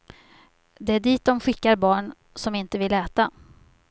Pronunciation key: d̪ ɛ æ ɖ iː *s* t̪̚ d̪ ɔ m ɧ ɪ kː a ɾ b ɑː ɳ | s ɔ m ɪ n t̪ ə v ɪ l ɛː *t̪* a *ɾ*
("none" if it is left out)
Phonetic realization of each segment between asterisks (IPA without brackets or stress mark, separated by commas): none, t̪, none